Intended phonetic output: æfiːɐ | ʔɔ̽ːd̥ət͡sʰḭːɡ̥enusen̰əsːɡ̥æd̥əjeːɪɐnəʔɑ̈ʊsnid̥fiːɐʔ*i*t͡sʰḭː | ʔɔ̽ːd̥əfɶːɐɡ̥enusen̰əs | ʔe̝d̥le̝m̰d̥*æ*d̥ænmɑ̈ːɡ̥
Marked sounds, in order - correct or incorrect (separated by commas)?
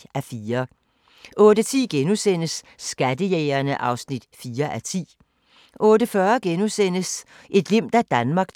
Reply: incorrect, correct